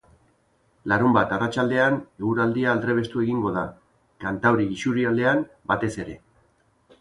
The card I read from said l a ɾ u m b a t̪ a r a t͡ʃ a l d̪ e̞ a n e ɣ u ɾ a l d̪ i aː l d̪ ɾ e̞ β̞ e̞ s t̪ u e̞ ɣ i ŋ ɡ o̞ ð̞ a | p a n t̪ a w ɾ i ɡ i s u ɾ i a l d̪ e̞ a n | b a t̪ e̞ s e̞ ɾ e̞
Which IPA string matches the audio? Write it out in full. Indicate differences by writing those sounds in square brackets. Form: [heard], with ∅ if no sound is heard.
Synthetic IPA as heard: l a ɾ u m b a t̪ a r a t͡ʃ a l d̪ e̞ a n e ɣ u ɾ a l d̪ i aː l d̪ ɾ e̞ β̞ e̞ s t̪ u e̞ ɣ i ŋ ɡ o̞ ð̞ a | [k] a n t̪ a w ɾ i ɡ i s u ɾ i a l d̪ e̞ a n | b a t̪ e̞ s e̞ ɾ e̞